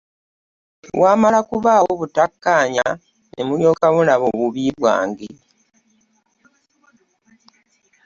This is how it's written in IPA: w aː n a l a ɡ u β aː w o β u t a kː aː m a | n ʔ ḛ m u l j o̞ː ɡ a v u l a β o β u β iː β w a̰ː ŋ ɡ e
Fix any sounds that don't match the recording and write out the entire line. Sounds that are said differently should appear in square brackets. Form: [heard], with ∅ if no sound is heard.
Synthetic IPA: w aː [m] a l a [k] u β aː w o β u t a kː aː [ɲ] a | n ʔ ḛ m u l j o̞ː [k] a [β] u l a β o β u β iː β w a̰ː ŋ ɡ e